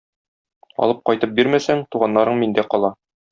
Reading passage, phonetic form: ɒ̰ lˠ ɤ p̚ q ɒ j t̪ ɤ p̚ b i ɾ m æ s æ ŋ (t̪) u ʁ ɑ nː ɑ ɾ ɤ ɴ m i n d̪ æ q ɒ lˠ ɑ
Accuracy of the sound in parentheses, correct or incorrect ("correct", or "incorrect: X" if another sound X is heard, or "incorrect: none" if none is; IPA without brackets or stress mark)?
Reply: correct